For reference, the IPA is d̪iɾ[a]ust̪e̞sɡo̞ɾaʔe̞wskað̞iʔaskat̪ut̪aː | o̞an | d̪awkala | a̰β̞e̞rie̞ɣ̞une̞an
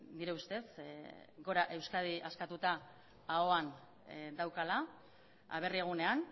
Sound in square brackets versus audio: incorrect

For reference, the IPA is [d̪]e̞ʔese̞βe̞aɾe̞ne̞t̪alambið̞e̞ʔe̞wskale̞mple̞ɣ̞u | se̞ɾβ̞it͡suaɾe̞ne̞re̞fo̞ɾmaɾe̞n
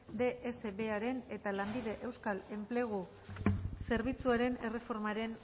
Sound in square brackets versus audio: correct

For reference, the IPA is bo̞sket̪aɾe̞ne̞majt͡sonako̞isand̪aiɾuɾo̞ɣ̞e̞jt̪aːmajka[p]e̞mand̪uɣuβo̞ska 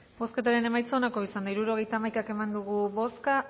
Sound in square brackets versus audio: incorrect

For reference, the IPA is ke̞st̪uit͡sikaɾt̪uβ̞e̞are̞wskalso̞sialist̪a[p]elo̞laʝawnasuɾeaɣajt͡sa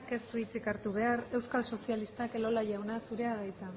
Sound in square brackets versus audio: incorrect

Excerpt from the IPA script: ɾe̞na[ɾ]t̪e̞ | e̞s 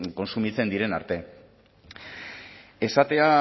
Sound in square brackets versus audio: correct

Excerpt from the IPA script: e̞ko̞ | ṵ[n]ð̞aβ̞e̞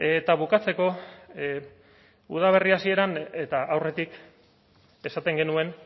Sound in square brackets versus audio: incorrect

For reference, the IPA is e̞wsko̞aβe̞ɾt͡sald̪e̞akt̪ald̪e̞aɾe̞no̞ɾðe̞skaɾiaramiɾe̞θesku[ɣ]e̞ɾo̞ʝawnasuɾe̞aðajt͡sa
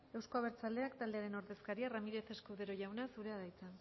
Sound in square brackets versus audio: incorrect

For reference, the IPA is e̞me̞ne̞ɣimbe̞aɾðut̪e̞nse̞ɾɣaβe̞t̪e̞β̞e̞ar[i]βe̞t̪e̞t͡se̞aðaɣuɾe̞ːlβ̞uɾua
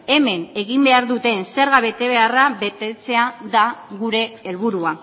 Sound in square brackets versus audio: incorrect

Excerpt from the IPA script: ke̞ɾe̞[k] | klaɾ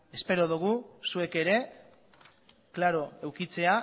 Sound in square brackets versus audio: incorrect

